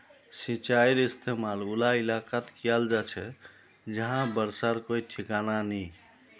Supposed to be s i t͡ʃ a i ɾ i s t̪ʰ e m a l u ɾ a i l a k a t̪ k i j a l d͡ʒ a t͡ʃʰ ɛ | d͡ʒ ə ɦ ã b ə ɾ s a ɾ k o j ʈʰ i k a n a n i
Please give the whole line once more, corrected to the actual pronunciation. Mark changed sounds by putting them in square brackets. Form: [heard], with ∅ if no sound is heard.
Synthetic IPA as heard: s i t͡ʃ a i ɾ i s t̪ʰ e m a l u [l] a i l a k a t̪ k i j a l d͡ʒ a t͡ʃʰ ɛ | d͡ʒ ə ɦ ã b ə ɾ s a ɾ k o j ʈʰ i k a n a n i

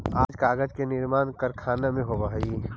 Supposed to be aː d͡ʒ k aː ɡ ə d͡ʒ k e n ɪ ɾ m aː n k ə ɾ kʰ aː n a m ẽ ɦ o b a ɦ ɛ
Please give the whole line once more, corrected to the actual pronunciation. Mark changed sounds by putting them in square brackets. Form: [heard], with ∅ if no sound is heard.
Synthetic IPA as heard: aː d͡ʒ k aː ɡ ə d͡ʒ k e n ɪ ɾ m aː n k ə ɾ kʰ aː n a m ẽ ɦ o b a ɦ [i]

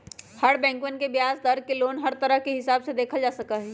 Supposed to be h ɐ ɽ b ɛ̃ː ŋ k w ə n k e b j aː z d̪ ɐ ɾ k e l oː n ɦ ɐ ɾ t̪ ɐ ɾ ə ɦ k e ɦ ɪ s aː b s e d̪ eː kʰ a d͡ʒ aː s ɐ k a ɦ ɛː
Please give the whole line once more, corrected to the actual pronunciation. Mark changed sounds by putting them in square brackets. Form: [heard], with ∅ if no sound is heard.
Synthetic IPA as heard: h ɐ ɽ b ɛ̃ː ŋ k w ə n k e b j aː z d̪ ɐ ɾ k e l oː n ɦ ɐ ɾ t̪ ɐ ɾ ə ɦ k e ɦ ɪ s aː b s e d̪ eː kʰ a d͡ʒ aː s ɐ k a ɦ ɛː

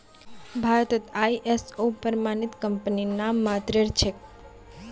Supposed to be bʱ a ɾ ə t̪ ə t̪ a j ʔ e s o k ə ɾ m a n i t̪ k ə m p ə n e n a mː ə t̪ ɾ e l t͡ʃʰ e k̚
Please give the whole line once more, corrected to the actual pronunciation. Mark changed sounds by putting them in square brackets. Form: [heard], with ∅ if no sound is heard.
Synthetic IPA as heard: bʱ a ɾ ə t̪ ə t̪ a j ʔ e s o [p] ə ɾ m a n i t̪ k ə m p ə n [i] n a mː [a] t̪ ɾ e [ɾ] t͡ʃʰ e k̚

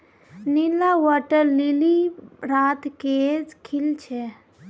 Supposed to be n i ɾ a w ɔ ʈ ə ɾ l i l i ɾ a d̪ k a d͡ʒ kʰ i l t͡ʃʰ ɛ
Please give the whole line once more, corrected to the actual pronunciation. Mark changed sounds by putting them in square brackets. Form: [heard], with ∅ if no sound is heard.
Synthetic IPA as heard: n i [l] a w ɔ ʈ ə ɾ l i l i ɾ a [t̪] k [e] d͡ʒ kʰ i l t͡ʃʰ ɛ

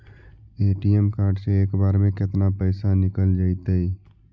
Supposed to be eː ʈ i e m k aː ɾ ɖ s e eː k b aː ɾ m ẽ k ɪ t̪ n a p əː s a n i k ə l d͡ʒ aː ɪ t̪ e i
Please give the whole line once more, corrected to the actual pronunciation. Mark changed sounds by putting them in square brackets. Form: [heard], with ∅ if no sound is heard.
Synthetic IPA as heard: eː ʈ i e m k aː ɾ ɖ s e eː k b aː ɾ m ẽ k ɪ t̪ n a p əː s a n [ɪ] k ə l d͡ʒ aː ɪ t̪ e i

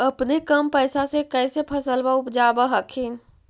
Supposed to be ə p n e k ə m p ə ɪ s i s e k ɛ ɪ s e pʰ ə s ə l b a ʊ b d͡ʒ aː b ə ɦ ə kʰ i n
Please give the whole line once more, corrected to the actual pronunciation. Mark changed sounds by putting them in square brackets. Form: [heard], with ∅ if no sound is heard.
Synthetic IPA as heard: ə p n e k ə m p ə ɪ s [a] s e k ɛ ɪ s e pʰ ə s ə l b a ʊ [p] d͡ʒ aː b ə ɦ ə kʰ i n

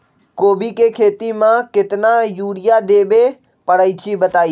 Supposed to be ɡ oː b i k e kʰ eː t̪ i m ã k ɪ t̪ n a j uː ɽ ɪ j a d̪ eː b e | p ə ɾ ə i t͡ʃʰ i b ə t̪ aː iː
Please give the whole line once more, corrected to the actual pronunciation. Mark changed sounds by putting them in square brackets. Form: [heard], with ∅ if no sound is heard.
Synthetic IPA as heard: [k] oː b i k e kʰ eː t̪ i m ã k ɪ t̪ n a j uː ɽ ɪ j a d̪ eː b e | p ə [ɽ] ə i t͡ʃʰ i b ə t̪ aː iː

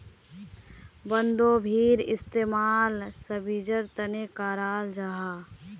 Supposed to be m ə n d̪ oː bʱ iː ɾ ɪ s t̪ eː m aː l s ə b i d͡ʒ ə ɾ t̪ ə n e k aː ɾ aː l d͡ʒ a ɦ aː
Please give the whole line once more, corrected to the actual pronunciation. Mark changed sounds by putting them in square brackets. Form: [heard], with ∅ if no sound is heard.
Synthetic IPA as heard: [b] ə n d̪ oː bʱ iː ɾ ɪ s t̪ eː m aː l s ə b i d͡ʒ ə ɾ t̪ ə n e k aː ɾ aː l d͡ʒ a ɦ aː

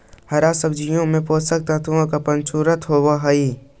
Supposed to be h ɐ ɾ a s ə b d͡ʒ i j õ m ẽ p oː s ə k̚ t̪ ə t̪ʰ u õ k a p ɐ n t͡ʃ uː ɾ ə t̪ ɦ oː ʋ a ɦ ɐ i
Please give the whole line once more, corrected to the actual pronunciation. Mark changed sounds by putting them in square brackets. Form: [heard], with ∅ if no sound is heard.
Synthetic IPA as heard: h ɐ ɾ a s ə b d͡ʒ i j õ m ẽ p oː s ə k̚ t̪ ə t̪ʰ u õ k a p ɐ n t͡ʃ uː ɾ ə t̪ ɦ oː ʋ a ɦ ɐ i

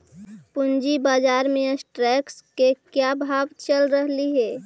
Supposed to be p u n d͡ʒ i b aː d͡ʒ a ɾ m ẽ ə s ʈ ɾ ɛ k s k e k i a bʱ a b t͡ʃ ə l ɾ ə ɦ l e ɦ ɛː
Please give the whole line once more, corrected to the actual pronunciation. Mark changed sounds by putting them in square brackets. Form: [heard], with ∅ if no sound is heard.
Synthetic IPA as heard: p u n d͡ʒ i b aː d͡ʒ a ɾ m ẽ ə s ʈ ɾ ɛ k s k e k [j] a bʱ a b t͡ʃ ə l ɾ ə ɦ l [i] ɦ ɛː

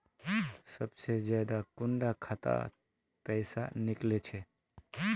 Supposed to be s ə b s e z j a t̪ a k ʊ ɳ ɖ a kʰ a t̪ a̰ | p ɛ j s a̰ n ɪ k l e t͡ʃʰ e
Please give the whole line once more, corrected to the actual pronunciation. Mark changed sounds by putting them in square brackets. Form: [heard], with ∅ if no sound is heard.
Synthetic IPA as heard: s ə b s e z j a [d̪] a k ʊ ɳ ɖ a kʰ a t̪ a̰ | p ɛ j s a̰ n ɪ k l e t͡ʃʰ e

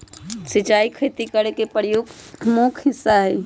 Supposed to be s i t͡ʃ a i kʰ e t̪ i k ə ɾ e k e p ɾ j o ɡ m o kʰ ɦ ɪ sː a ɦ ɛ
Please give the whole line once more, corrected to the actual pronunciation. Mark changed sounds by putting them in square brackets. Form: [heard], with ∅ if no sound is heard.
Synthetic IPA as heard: s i t͡ʃ a i kʰ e t̪ i k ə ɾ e k e p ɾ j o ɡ m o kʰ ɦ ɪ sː a ɦ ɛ

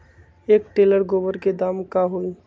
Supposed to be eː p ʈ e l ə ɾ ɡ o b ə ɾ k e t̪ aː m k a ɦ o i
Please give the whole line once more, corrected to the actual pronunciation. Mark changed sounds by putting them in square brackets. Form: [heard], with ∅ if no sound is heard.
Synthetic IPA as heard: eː [k] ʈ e l ə ɾ ɡ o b ə ɾ k e [d̪] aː m k a ɦ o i

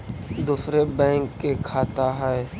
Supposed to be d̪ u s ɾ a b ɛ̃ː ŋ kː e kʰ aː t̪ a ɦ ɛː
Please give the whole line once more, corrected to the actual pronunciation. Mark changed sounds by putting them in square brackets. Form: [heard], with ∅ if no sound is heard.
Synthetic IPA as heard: d̪ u s ɾ [e] b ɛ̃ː ŋ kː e kʰ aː t̪ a ɦ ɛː

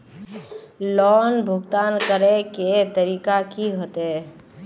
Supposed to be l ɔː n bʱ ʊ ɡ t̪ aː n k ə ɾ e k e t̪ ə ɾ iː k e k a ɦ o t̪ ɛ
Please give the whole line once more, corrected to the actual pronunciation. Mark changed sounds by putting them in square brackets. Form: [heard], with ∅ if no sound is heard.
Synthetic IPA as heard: l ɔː n bʱ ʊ ɡ t̪ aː n k ə ɾ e k e t̪ ə ɾ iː k [a] k [i] ɦ o t̪ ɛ

